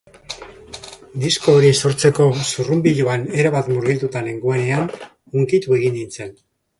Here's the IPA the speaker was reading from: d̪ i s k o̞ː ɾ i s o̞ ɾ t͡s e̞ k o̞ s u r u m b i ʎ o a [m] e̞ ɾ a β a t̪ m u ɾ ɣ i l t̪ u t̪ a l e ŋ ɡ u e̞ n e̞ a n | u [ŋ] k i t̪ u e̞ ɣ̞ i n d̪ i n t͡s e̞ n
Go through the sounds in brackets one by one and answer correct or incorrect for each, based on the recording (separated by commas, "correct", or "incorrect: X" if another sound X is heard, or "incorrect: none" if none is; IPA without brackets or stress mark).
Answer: incorrect: n, correct